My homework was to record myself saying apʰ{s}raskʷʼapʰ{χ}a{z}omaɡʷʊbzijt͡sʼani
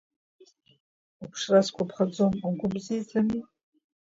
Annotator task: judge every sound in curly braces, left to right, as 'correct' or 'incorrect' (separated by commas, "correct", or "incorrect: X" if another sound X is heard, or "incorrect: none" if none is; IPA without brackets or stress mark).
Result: incorrect: ʂ, correct, incorrect: d͡z